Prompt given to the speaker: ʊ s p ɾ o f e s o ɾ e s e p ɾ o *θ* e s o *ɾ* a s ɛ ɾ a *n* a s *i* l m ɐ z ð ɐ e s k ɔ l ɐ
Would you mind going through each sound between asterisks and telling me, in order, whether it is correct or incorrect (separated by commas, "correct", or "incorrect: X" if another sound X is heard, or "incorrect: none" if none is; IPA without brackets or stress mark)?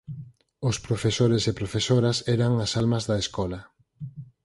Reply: incorrect: f, correct, incorrect: ŋ, incorrect: a